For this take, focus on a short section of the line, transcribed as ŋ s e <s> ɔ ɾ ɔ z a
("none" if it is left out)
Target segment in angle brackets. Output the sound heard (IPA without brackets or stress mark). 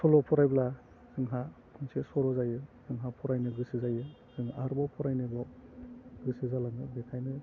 s